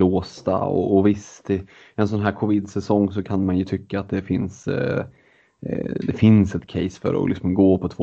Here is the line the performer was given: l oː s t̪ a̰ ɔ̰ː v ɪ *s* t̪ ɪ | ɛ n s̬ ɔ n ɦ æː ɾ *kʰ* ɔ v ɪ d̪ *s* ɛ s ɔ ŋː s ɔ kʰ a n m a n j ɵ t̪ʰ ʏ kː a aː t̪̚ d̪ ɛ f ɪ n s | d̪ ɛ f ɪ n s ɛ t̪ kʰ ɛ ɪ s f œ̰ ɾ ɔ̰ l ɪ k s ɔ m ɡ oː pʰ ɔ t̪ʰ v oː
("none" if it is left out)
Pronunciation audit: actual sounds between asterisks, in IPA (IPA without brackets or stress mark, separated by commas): s, kʰ, s